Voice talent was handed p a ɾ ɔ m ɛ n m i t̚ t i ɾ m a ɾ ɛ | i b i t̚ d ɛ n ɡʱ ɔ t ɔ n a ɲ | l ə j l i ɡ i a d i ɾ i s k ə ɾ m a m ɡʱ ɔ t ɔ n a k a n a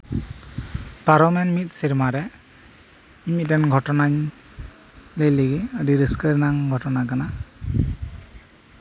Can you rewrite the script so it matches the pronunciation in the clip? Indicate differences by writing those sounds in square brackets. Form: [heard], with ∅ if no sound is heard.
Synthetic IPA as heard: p a ɾ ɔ m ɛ n m i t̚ [s] i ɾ m a ɾ ɛ | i [m] i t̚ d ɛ n ɡʱ ɔ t ɔ n a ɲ | l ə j l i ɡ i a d i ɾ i s k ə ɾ [n] a [ŋ] ɡʱ ɔ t ɔ n a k a n a